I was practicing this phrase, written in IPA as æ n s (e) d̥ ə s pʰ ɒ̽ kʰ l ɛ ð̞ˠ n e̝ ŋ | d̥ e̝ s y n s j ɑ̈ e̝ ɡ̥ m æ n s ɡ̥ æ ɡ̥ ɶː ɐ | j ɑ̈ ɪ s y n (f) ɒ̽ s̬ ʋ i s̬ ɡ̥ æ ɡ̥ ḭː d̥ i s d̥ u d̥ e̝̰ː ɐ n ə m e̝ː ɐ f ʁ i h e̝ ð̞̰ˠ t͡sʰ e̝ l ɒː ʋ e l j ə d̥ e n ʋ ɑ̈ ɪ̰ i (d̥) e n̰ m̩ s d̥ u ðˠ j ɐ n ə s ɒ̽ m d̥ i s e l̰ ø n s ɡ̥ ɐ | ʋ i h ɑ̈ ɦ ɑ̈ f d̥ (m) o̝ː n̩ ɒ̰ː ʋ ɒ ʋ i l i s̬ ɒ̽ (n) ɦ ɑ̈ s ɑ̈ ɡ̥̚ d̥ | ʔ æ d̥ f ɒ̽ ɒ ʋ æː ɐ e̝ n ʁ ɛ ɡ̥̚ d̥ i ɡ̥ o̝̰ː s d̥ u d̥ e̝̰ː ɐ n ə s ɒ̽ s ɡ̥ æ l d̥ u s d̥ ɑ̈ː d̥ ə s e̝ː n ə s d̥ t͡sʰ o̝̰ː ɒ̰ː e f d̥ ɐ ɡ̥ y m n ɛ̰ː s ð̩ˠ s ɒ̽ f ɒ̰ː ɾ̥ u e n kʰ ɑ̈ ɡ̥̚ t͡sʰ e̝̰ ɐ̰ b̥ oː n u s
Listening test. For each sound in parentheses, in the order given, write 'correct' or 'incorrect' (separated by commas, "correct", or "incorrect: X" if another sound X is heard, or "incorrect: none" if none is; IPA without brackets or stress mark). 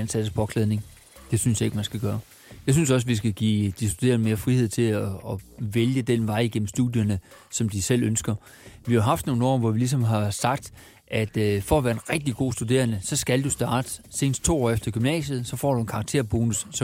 incorrect: æ, incorrect: s, incorrect: ɡ̥, incorrect: n, incorrect: m